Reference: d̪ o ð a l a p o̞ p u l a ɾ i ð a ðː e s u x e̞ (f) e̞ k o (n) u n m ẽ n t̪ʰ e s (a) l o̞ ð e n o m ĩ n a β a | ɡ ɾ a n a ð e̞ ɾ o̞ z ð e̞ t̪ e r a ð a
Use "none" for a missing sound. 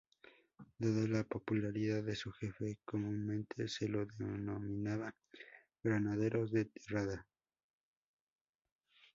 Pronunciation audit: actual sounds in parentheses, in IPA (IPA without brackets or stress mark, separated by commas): f, m, e